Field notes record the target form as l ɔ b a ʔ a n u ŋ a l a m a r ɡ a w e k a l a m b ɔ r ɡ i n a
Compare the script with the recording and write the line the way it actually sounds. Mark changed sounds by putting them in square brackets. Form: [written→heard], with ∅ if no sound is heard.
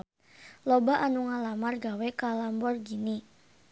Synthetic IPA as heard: l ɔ b a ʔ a n u ŋ a l a m a r ɡ a w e k a l a m b ɔ r ɡ i n [a→i]